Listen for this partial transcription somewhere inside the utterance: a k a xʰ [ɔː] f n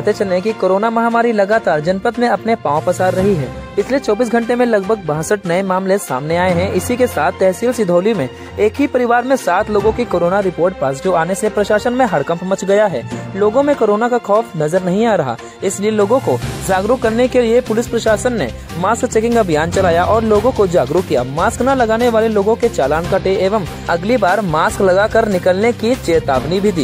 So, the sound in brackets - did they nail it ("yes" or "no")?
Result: yes